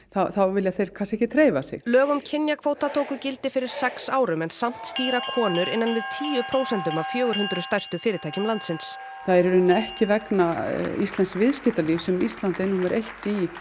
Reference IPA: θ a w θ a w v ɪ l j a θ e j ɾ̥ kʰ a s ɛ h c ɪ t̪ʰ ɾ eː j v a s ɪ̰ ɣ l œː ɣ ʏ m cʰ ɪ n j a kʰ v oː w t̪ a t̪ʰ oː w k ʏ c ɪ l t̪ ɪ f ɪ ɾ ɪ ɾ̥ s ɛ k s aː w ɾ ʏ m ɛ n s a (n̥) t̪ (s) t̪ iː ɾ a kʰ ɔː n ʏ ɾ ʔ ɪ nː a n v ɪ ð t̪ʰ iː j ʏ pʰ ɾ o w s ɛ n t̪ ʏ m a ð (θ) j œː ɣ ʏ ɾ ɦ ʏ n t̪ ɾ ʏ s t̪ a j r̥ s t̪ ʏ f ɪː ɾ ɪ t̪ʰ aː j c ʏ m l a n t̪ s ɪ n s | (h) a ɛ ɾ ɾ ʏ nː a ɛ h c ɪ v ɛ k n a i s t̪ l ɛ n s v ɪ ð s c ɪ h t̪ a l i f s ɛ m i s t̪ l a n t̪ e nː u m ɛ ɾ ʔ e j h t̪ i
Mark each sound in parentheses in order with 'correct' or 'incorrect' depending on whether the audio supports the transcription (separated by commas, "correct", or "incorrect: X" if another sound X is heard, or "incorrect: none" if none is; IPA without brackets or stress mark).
incorrect: m̥, correct, incorrect: f, incorrect: θ